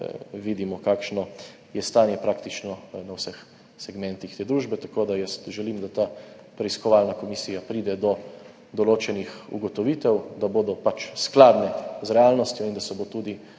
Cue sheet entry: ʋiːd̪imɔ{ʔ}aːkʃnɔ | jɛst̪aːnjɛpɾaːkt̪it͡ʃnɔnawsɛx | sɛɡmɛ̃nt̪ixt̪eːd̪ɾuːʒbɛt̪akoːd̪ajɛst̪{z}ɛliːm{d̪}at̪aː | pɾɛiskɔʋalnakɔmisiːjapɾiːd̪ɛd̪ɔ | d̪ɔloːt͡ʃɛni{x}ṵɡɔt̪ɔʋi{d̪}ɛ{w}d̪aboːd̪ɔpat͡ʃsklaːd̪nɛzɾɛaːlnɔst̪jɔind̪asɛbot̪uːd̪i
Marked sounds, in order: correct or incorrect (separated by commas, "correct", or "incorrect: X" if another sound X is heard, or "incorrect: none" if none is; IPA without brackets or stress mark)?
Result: incorrect: k, incorrect: ʒ, correct, correct, incorrect: t̪, correct